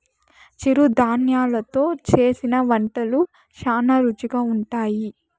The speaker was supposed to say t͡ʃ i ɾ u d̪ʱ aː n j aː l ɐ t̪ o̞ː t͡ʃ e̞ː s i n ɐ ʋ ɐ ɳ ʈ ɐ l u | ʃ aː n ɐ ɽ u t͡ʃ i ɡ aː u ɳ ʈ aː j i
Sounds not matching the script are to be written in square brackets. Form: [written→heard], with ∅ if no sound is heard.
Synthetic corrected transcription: t͡ʃ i ɾ u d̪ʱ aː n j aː l ɐ t̪ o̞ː t͡ʃ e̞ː s i n ɐ ʋ ɐ ɳ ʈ ɐ l u | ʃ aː n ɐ [ɽ→ɾ] u t͡ʃ i ɡ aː u ɳ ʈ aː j i